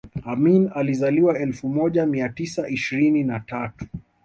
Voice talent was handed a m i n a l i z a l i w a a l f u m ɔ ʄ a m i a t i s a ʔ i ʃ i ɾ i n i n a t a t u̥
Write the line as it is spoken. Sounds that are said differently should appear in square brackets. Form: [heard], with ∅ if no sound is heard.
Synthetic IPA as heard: a m i n a l i z a l i w a [ɛ] l f u m ɔ ʄ a m i a t i s a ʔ i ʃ i ɾ i n i n a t a t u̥